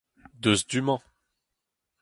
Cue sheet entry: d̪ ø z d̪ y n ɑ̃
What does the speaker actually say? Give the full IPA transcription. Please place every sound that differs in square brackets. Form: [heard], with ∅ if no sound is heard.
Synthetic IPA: d̪ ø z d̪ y [m] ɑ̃